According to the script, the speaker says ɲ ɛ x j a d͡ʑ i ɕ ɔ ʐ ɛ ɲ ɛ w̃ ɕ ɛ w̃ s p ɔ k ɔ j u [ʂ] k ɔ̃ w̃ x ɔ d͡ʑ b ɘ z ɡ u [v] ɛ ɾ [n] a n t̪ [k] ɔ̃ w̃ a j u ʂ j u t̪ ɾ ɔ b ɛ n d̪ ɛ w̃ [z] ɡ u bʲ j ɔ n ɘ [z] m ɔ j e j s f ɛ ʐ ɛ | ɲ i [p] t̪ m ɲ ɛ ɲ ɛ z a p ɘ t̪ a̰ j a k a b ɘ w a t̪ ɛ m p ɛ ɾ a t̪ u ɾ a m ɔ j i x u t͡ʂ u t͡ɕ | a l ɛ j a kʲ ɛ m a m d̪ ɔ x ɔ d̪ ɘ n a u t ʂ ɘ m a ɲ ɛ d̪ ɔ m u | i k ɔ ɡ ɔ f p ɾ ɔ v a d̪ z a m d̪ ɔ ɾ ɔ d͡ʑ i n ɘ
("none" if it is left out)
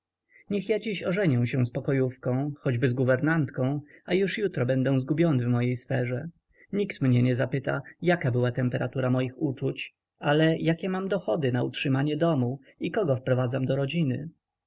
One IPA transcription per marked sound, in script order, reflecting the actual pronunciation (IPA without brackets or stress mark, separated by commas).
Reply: f, v, n, k, z, v, k